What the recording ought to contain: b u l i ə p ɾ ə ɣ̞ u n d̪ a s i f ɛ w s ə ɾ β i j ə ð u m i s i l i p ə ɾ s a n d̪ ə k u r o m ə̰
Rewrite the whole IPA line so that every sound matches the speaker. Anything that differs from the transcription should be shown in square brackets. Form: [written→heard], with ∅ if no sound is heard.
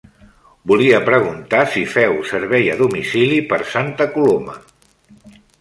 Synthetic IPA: b u l i ə p ɾ ə ɣ̞ u n [d̪→t̪] a s i f ɛ w s ə ɾ β [i→ɛ] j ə ð u m i s i l i p ə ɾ s a n [d̪→t̪] ə k u [r→l] o m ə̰